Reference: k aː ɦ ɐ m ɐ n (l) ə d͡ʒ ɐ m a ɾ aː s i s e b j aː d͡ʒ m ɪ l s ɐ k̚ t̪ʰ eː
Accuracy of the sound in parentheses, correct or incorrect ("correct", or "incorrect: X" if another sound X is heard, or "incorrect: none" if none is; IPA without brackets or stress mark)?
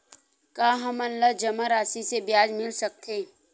correct